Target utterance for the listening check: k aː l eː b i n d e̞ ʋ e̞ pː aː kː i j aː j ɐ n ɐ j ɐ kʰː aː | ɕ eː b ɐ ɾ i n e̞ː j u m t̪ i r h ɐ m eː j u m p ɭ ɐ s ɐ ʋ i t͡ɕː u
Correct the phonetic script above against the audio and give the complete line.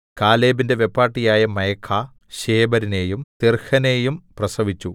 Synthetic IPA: k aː l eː b i n d e̞ ʋ e̞ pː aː ʈː i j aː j ɐ m ɐ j ɐ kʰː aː | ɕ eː b ɐ ɾ i n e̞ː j u m t̪ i r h ɐ n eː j u m p r ɐ s ɐ ʋ i t͡ɕː u